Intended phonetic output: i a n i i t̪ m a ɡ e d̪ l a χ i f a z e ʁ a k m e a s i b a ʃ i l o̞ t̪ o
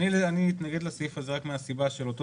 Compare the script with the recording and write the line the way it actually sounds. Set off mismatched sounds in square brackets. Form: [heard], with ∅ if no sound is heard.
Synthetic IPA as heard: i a n i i t̪ [n] a ɡ e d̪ l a [s] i f a z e ʁ a k m e a s i b a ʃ [e] l o̞ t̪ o